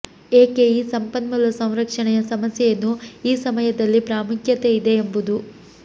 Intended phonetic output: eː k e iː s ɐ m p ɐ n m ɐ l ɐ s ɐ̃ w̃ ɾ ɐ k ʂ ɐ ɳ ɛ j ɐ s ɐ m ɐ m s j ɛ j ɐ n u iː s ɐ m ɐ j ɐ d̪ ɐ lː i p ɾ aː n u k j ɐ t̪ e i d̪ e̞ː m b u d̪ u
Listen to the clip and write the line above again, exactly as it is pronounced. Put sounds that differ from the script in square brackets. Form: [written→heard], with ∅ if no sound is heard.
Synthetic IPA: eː k e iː s ɐ m p ɐ n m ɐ l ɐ s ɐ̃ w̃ ɾ ɐ k ʂ ɐ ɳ ɛ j ɐ s ɐ m ɐ [m→∅] s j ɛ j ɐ [n→nː] u iː s ɐ m ɐ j ɐ d̪ ɐ lː i p ɾ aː [n→m] u k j ɐ t̪ e i d̪ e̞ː m b u d̪ u